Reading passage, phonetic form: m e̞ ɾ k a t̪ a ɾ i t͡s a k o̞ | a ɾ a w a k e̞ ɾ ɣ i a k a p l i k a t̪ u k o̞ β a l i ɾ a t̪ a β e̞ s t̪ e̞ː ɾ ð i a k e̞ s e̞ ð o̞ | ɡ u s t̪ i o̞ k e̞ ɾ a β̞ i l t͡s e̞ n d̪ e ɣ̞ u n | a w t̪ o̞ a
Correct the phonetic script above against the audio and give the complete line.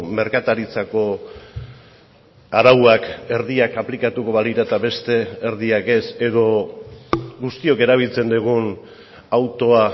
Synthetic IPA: m e̞ ɾ k a t̪ a ɾ i t͡s a k o̞ | a ɾ a w a k e̞ ɾ ð i a k a p l i k a t̪ u k o̞ β a l i ɾ a t̪ a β e̞ s t̪ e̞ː ɾ ð i a k e̞ s e̞ ð o̞ | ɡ u s t̪ i o̞ k e̞ ɾ a β̞ i l t͡s e̞ n d̪ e ɣ̞ u n | a w t̪ o̞ a